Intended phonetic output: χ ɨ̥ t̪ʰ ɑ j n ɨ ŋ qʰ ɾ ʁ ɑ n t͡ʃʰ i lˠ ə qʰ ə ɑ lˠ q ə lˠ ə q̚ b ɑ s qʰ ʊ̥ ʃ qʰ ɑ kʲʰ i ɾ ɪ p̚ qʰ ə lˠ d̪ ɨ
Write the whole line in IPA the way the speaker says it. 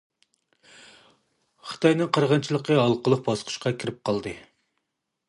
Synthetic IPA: χ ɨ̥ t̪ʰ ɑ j n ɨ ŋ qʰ ɾ ʁ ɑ n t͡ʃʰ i lˠ ə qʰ ə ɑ lˠ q ə lˠ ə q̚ b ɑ s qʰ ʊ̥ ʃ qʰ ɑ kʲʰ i ɾ ɪ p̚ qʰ ɑ lˠ d̪ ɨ